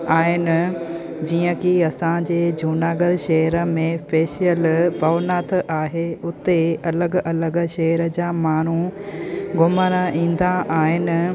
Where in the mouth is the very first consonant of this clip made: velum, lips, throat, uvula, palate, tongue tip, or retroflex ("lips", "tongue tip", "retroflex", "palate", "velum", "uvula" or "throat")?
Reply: throat